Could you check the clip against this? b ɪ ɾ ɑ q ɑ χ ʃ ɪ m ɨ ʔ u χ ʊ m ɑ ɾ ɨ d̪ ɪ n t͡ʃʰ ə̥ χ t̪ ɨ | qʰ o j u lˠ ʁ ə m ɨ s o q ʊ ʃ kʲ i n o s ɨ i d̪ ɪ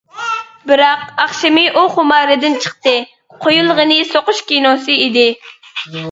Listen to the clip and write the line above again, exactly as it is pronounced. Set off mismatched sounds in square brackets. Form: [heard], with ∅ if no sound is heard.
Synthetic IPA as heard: b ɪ ɾ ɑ q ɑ χ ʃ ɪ m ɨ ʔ u χ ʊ m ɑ ɾ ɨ d̪ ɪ n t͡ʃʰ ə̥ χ t̪ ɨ | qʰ o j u lˠ ʁ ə [n] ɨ s o q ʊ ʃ kʲ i n o s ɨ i d̪ ɪ